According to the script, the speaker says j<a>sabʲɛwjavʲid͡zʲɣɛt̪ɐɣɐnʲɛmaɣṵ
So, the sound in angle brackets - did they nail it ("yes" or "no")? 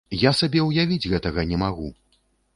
yes